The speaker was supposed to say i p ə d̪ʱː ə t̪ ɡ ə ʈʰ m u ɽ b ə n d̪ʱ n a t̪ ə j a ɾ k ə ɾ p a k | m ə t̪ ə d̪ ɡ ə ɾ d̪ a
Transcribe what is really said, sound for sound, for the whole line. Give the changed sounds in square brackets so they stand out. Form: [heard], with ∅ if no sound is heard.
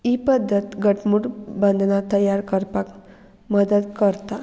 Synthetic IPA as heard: i p ə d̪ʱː ə t̪ ɡ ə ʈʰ m u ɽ b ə n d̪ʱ n a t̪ ə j a ɾ k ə ɾ p a k | m ə [d̪] ə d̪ [k] ə ɾ [t̪] a